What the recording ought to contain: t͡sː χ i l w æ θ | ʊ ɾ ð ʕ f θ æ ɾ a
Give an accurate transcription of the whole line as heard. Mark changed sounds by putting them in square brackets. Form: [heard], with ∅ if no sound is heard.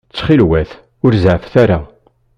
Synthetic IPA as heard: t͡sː χ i l w æ θ | ʊ ɾ [z] ʕ f θ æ ɾ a